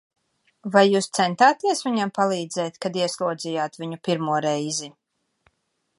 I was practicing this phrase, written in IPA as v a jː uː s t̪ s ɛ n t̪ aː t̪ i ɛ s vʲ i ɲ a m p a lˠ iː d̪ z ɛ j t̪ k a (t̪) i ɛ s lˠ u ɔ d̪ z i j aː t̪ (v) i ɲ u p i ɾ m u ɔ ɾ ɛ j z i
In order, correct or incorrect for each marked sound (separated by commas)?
incorrect, correct